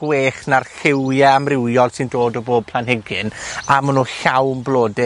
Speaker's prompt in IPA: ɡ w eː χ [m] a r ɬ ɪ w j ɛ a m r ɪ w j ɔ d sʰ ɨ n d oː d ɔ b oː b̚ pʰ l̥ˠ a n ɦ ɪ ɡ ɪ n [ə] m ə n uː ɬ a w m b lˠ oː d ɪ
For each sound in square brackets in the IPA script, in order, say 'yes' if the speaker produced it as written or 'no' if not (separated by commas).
no, no